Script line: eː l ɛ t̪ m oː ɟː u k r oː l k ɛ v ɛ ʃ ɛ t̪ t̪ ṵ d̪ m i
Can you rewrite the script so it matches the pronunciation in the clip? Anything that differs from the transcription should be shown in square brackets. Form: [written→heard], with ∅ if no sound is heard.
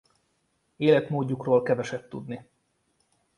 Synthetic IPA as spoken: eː l ɛ t̪ m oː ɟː u k r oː l k ɛ v ɛ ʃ ɛ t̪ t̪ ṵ d̪ [m→n] i